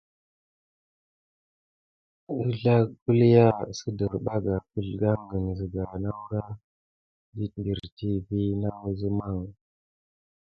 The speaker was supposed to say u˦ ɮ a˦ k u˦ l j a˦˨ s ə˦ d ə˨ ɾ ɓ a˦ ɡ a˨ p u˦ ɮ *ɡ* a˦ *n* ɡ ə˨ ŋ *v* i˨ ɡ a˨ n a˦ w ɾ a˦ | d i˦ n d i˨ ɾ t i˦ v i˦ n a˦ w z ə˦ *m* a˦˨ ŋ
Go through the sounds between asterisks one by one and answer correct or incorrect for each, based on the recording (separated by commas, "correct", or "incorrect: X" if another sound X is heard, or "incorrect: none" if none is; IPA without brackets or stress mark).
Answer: correct, incorrect: ŋ, incorrect: z, correct